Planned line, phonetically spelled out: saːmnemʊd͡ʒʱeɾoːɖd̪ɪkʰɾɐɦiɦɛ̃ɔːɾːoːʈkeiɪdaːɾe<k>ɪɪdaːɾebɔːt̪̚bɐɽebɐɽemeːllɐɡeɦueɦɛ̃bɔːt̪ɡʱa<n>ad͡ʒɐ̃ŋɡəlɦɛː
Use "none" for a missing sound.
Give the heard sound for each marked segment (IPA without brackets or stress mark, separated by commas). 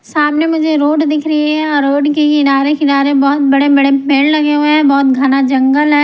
k, n